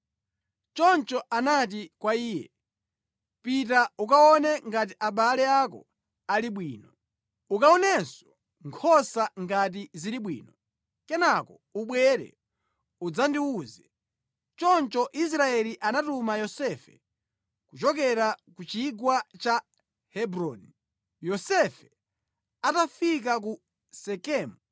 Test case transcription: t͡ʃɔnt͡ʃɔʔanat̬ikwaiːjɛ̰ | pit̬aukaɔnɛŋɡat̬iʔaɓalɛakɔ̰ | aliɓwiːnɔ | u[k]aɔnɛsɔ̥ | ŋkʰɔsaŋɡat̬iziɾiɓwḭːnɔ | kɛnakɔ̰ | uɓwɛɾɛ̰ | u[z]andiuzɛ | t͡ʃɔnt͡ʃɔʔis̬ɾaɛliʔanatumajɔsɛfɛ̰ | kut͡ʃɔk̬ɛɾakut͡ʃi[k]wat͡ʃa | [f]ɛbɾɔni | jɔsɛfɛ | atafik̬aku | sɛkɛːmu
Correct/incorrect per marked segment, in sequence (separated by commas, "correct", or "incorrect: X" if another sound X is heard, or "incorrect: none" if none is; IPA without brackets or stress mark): correct, incorrect: d͡z, incorrect: ɡ, incorrect: h